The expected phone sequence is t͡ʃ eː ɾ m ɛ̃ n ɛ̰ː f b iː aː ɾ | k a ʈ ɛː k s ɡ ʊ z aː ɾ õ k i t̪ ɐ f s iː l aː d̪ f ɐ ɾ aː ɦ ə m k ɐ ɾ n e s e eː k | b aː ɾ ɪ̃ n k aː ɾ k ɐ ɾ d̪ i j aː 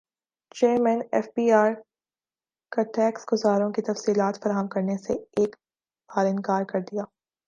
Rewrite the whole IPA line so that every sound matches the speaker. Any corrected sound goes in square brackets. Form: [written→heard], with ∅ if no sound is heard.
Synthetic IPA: t͡ʃ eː ɾ m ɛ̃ n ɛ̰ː f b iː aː ɾ | k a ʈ ɛː k s ɡ ʊ z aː ɾ õ k i t̪ ɐ f s iː l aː [d̪→t̪] f ɐ ɾ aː ɦ ə m k ɐ ɾ n e s e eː k | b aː ɾ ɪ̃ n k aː ɾ k ɐ ɾ d̪ i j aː